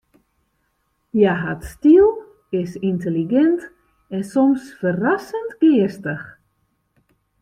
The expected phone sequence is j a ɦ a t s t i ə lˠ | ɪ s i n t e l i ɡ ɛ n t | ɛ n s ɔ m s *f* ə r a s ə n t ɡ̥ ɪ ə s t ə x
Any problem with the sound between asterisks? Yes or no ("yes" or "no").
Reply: no